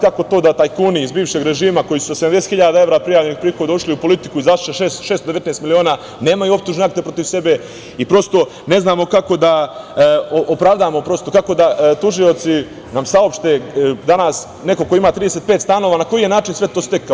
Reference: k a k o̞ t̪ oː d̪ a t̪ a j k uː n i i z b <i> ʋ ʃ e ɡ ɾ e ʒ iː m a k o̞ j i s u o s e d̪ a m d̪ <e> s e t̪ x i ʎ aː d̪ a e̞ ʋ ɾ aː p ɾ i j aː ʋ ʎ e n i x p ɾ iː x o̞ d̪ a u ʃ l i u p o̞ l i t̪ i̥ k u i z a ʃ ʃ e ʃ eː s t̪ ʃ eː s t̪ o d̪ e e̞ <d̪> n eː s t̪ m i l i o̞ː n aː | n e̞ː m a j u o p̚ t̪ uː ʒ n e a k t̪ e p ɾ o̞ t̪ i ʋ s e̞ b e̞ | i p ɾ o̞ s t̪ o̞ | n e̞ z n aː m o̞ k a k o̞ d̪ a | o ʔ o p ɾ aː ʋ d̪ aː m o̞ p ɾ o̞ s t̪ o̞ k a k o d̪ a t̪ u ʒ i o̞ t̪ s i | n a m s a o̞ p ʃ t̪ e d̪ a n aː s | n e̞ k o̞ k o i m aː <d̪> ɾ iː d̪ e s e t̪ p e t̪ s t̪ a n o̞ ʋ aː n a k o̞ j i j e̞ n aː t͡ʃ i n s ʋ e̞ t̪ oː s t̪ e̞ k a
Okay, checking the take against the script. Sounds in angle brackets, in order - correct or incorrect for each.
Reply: incorrect, correct, incorrect, incorrect

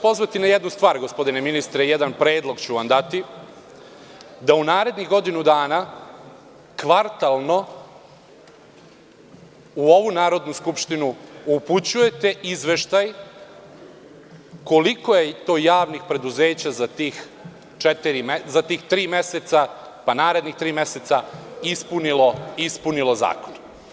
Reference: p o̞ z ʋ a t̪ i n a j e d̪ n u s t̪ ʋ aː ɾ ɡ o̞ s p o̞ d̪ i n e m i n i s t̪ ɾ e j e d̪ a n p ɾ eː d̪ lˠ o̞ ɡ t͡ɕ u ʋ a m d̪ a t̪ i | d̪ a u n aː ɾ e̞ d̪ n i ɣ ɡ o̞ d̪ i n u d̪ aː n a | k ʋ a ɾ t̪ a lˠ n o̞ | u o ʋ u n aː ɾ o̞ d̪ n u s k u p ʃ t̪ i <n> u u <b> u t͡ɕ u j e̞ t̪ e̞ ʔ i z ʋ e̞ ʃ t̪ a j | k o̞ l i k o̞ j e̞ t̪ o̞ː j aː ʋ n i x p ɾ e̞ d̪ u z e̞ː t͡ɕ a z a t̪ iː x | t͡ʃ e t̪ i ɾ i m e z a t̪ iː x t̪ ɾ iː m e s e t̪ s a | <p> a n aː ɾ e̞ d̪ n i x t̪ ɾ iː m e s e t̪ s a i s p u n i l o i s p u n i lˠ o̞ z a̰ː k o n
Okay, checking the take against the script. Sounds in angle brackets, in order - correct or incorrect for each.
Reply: correct, incorrect, correct

